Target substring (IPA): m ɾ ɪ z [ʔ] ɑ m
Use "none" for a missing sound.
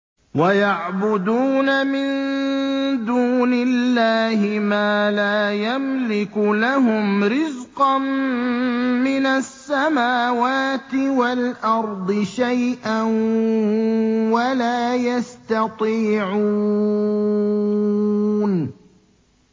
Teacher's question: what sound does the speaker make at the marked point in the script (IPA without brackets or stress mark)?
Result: q